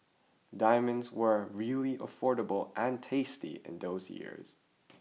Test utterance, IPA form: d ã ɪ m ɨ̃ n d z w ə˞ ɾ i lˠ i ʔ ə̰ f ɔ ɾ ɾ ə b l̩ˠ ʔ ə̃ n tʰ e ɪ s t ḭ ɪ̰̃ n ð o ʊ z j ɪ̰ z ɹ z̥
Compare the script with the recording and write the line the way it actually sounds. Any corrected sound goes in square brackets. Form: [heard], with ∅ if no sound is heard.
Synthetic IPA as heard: d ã ɪ m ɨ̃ n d z w ə˞ [ɹ] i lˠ i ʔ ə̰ f ɔ [ɹ] ɾ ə b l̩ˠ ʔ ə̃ n tʰ e ɪ s t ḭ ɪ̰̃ n ð o ʊ z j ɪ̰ [∅] ɹ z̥